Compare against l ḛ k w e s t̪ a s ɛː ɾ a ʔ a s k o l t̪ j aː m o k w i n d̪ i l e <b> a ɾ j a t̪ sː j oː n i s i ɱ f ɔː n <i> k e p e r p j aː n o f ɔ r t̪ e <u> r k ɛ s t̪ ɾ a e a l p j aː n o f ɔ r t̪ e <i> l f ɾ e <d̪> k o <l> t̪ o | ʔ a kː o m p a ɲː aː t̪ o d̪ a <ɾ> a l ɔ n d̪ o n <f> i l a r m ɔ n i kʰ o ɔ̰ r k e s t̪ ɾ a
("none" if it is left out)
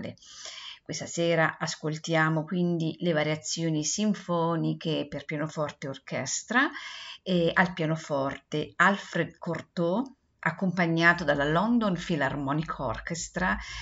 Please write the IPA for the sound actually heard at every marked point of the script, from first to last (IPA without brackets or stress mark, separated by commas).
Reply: v, i, o, a, d̪, r, l, f